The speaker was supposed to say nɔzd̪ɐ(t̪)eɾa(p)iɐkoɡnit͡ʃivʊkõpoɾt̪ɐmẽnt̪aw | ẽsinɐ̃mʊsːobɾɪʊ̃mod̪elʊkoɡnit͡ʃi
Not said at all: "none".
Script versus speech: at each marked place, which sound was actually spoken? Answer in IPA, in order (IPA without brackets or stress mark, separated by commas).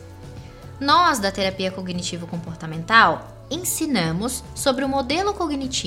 t̪, p